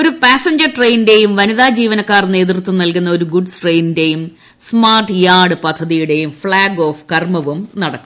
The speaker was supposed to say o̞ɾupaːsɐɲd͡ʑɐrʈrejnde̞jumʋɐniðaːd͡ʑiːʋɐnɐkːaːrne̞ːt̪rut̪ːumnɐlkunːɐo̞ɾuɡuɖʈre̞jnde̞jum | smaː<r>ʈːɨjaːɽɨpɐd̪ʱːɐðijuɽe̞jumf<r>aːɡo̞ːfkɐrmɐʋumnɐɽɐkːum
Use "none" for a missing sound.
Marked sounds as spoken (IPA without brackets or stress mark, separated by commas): r, ɭ